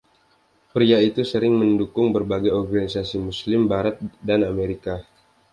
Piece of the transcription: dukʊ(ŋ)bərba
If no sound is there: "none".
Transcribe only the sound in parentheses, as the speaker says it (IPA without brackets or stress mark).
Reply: ŋ